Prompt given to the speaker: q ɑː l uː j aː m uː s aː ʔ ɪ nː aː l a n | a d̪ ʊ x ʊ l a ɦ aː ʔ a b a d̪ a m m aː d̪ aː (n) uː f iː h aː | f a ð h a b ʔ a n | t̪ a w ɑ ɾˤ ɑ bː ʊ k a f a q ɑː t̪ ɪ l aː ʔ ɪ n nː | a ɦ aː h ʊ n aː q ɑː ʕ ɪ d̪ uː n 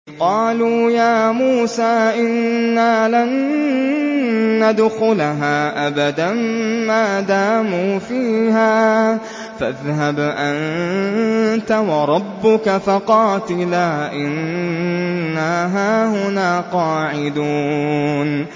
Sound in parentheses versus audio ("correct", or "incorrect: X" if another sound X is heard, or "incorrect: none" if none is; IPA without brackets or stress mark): incorrect: m